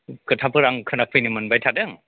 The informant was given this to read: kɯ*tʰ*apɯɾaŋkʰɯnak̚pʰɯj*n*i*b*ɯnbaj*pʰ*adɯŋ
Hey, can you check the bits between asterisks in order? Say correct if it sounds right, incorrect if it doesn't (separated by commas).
correct, correct, incorrect, incorrect